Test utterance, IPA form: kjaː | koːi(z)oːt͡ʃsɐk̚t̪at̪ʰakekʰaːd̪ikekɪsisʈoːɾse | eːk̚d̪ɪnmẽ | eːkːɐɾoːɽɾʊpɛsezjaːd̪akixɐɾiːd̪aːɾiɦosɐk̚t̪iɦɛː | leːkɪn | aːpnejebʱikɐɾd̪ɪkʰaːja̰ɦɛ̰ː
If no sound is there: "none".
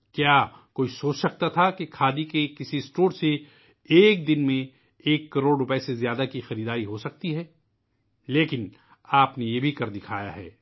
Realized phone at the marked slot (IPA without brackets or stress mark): s